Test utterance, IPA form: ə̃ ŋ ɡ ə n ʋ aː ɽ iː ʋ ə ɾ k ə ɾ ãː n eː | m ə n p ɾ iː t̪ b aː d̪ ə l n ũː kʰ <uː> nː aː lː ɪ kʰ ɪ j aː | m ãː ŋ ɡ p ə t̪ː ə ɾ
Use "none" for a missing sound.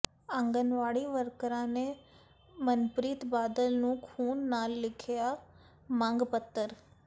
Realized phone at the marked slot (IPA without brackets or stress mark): uː